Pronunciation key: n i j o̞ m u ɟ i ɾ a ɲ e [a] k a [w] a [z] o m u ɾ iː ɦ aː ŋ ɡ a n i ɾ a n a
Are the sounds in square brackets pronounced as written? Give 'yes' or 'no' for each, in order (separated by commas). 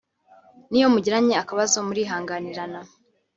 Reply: yes, no, yes